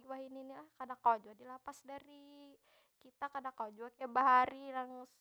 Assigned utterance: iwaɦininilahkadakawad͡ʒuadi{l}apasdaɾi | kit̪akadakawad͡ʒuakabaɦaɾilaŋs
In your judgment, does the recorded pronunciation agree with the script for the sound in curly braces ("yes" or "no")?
yes